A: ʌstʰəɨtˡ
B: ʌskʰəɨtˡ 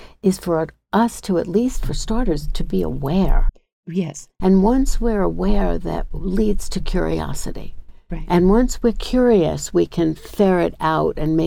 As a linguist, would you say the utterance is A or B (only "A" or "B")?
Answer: A